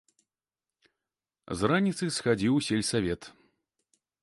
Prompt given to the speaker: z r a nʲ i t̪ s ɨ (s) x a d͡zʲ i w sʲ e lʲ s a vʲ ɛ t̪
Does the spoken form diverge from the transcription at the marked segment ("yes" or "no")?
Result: no